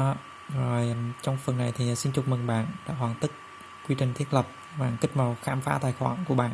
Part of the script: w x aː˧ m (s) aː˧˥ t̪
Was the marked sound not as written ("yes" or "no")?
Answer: yes